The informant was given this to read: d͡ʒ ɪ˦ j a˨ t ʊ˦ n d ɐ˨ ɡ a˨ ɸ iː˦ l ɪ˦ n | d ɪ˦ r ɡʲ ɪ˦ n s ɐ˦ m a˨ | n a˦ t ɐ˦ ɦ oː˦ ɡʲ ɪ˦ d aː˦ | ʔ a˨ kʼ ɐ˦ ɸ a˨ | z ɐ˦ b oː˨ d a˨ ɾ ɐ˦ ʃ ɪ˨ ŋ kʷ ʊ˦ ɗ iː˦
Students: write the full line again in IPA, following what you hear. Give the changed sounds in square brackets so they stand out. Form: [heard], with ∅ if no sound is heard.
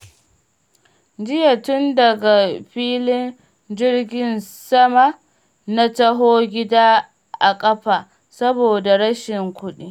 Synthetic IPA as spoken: d͡ʒ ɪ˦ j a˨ t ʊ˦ n d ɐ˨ ɡ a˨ ɸ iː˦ l ɪ˦ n | [d͡ʒ] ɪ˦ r ɡʲ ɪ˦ n s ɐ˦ m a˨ | n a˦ t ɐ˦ ɦ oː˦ ɡʲ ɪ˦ d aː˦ | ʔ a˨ kʼ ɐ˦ ɸ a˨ | [s] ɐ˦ b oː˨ d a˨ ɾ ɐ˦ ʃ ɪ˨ ŋ kʷ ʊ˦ ɗ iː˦